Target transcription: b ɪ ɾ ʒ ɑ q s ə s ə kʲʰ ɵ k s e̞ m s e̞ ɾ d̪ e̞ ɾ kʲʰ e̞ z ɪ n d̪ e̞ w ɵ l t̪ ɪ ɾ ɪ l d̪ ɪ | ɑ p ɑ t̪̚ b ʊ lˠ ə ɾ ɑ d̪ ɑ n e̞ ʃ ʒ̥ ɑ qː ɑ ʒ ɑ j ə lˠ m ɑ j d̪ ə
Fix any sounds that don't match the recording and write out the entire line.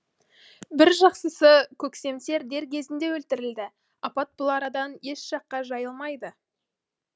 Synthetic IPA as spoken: b ɪ ɾ ʒ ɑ q s ə s ə kʲʰ ɵ k s e̞ m s e̞ ɾ d̪ e̞ ɾ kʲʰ e̞ z ɪ n d̪ e̞ w ɵ l t̪ ɪ ɾ ɪ l d̪ ɪ | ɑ p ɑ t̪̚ b ʊ lˠ ɑ ɾ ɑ d̪ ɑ n e̞ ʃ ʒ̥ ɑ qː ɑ ʒ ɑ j ə lˠ m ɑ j d̪ ə